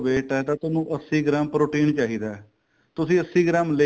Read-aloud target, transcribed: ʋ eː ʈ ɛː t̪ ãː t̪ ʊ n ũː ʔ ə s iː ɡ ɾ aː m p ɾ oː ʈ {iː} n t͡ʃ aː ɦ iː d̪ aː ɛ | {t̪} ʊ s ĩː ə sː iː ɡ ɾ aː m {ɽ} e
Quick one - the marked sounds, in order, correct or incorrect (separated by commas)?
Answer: correct, correct, incorrect